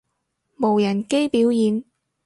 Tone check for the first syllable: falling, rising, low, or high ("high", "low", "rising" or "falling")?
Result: low